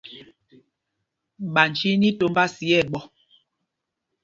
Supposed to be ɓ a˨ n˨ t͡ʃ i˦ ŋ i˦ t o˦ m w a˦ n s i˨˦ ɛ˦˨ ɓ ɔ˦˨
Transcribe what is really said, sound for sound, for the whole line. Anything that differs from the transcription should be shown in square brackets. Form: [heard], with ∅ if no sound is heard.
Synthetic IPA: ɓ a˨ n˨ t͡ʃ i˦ [n] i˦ t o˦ m [b] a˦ [∅] s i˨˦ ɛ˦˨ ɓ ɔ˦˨